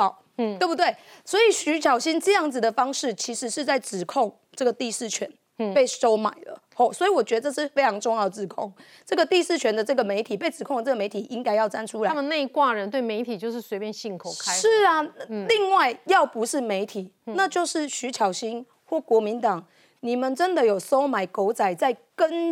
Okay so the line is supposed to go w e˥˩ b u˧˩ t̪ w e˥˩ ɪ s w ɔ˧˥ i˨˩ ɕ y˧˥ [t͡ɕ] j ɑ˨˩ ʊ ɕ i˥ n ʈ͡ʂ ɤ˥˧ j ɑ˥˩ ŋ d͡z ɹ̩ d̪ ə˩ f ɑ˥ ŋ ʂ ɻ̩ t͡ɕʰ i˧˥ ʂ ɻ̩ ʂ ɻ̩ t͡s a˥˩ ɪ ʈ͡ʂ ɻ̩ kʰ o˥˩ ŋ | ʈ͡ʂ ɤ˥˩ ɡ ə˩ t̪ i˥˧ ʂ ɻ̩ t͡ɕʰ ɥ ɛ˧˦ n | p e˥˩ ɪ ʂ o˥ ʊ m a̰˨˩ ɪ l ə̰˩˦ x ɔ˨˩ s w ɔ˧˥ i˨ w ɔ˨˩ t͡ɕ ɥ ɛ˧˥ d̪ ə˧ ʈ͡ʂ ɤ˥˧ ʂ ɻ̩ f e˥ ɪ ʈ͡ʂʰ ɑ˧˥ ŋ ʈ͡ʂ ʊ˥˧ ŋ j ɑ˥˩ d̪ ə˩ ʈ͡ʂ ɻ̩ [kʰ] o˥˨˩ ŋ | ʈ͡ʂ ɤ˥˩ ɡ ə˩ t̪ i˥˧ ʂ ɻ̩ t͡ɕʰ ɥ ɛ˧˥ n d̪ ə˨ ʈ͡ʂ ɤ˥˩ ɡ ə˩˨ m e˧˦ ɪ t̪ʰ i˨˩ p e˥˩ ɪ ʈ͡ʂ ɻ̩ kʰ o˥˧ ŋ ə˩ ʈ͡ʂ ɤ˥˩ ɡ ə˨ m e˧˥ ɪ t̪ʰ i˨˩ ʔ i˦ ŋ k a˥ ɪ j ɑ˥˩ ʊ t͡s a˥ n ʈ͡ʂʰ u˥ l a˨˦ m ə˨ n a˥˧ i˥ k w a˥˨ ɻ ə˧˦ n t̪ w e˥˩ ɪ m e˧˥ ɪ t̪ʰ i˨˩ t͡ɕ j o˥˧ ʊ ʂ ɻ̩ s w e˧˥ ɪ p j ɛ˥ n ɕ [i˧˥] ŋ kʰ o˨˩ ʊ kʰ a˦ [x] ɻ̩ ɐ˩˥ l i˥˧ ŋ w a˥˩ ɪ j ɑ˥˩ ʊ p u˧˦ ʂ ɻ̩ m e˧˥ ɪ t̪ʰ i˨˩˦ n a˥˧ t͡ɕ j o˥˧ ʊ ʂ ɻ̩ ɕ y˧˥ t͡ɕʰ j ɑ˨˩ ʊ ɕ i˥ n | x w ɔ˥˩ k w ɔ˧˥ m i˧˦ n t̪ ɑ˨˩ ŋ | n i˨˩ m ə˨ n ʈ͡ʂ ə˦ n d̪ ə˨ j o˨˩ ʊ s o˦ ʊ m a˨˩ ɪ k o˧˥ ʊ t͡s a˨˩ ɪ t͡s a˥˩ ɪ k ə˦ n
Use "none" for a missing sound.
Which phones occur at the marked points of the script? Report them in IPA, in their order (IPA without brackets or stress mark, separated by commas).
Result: t͡ɕʰ, kʰ, i˥˩, ʂ